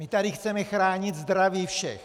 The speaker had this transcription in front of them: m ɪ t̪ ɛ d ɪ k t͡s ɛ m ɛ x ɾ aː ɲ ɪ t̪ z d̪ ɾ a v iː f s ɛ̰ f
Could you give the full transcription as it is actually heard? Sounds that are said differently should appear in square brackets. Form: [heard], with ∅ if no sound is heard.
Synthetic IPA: m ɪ t̪ [a] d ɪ [x] t͡s ɛ m ɛ x ɾ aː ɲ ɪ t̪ z d̪ ɾ a v iː f [ʃ] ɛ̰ [x]